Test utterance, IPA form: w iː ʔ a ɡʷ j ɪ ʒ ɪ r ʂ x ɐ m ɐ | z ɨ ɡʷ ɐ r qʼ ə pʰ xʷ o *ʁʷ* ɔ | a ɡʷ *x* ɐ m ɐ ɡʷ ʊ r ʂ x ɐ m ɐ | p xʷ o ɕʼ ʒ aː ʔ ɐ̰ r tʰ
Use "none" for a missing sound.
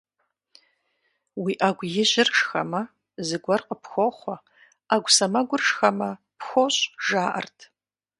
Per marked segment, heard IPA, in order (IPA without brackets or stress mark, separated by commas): χʷ, s